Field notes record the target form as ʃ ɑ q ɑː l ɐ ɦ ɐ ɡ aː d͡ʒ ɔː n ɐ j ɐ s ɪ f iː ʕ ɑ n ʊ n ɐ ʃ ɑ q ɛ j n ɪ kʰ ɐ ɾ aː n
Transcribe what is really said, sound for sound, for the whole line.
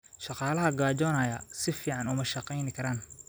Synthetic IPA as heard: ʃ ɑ q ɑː l ɐ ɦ ɐ ɡ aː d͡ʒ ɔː n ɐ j ɐ s ɪ f iː ʕ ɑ n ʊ m ɐ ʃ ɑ q ɛ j n ɪ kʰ ɐ ɾ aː n